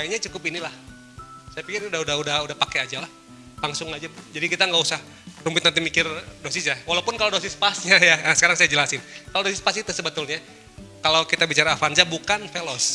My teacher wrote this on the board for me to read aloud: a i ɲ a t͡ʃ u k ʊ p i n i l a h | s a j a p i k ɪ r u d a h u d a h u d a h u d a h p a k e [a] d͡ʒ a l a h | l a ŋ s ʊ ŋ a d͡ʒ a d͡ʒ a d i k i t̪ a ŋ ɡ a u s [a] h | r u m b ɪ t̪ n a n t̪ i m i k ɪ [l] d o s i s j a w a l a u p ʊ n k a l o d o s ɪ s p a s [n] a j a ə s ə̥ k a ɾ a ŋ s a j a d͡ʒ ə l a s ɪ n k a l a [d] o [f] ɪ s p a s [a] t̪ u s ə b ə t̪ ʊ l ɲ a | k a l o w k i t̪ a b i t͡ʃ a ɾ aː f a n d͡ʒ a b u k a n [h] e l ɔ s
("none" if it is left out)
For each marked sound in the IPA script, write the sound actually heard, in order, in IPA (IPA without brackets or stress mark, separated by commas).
a, a, r, ɲ, d, s, i, f